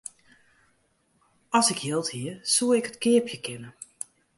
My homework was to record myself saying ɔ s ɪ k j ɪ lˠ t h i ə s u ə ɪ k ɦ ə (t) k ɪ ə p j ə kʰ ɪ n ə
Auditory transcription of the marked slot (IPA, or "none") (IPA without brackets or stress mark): t